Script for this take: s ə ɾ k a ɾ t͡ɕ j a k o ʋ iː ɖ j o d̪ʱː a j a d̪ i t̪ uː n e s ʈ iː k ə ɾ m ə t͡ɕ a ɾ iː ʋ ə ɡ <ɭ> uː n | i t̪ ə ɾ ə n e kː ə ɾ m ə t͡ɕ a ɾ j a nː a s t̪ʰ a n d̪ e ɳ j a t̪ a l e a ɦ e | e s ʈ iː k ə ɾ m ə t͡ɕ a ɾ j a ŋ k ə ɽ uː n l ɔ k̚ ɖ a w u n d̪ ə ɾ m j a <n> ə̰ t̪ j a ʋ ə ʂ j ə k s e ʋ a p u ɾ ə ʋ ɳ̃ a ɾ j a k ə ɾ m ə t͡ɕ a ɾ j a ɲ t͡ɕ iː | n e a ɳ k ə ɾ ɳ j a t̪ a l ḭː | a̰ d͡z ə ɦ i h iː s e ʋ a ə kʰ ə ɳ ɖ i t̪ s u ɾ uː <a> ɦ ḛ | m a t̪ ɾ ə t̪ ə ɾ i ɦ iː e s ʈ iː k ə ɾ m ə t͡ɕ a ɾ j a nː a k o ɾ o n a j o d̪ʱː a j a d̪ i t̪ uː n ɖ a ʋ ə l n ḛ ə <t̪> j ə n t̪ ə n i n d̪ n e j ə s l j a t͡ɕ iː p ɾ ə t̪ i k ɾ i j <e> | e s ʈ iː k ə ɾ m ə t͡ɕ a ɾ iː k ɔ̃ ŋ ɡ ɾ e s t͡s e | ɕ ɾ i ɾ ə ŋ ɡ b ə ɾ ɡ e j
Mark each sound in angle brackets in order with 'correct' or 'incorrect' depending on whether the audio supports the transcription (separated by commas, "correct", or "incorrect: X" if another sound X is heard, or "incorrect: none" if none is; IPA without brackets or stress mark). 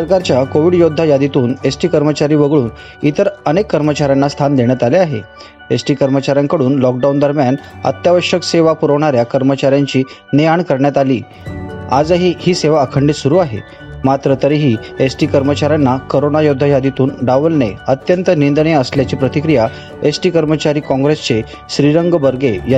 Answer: correct, correct, correct, correct, incorrect: a